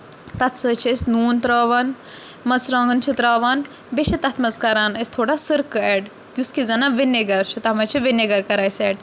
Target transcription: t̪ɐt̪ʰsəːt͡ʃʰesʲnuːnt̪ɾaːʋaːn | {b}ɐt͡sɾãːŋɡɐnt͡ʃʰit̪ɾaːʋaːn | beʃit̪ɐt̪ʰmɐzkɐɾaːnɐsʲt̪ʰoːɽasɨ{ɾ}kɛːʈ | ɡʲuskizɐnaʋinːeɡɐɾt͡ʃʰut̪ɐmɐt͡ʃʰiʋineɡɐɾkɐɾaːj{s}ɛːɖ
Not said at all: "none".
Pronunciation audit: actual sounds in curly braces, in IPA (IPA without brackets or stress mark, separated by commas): m, ɾ, s